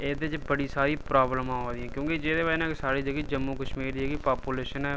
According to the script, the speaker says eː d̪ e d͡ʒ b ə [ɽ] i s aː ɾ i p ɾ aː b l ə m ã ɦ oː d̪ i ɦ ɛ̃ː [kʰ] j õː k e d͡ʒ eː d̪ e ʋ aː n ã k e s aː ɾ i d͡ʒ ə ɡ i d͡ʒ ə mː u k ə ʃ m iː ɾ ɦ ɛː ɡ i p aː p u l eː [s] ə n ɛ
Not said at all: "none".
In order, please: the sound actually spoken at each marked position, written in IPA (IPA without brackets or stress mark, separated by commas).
ɽ, k, ʃ